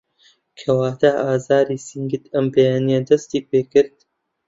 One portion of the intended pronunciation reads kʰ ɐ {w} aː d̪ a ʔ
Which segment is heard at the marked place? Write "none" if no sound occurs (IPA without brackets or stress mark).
w